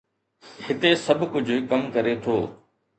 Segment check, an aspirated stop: present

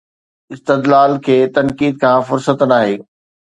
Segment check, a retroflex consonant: absent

